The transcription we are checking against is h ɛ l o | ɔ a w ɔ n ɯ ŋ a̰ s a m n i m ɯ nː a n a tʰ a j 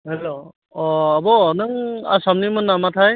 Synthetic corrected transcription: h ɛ l o | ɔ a b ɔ n ɯ ŋ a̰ s a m n i m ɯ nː a m a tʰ a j